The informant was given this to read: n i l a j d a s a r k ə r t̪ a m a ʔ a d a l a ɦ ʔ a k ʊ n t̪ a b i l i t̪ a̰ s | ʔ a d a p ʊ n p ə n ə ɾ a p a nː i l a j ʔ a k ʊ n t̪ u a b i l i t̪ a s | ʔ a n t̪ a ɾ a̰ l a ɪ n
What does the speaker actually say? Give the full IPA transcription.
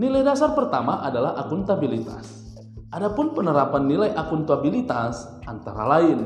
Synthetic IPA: n i l a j d a s a r p ə r t̪ a m a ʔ a d a l a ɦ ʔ a k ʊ n t̪ a b i l i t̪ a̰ s | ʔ a d a p ʊ n p ə n ə ɾ a p a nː i l a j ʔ a k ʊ n t̪ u a b i l i t̪ a s | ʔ a n t̪ a ɾ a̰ l a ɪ n